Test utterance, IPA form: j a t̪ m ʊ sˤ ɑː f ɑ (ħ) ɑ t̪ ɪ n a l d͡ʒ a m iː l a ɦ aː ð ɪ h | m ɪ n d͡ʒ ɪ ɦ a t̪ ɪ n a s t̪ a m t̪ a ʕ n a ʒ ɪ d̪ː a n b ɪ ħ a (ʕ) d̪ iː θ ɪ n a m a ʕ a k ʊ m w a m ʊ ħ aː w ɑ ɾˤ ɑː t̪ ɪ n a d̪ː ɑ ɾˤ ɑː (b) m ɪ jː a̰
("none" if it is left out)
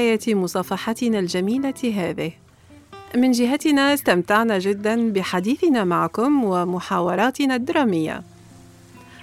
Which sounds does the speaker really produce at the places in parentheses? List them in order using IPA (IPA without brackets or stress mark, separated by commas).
ħ, none, none